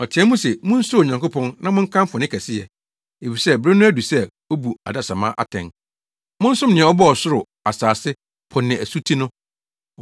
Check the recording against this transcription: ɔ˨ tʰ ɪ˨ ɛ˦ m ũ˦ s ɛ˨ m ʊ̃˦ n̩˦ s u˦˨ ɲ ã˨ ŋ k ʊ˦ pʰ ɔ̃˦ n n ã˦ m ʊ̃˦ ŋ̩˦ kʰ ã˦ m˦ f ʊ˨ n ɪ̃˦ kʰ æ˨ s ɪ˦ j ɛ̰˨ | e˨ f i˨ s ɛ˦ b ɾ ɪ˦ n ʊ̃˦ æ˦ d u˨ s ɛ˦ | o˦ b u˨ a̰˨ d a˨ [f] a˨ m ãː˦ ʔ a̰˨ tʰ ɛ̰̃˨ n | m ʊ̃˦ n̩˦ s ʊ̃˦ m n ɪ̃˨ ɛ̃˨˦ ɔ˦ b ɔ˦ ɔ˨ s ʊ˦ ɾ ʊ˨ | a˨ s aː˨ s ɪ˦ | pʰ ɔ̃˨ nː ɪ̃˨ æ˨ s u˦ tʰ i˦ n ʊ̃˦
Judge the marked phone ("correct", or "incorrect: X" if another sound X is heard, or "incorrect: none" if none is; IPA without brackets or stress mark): incorrect: s